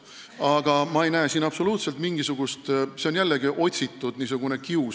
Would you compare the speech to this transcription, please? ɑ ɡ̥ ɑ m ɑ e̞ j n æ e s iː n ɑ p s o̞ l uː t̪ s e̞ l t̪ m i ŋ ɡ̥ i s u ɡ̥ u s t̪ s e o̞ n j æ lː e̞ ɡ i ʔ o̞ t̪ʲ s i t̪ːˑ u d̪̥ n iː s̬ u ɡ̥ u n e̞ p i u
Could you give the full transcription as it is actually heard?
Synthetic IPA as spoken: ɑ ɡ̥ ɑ m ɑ e̞ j n æ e s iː n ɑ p s o̞ l uː t̪ s e̞ l t̪ m i ŋ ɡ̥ i s u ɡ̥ u s t̪ s e o̞ n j æ lː e̞ ɡ i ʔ o̞ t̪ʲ s i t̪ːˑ u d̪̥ n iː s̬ u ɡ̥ u n e̞ k i u